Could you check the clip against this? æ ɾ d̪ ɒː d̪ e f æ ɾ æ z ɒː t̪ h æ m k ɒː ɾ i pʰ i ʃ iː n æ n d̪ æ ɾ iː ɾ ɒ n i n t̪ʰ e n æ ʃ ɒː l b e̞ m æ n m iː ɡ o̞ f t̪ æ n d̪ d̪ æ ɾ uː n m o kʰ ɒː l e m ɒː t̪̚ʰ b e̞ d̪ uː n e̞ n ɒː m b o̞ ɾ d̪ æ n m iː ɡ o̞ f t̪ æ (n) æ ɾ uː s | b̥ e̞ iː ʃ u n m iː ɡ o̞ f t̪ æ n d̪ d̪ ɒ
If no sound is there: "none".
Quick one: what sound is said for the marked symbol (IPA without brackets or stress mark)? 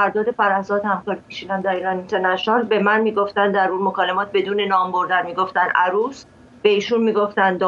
n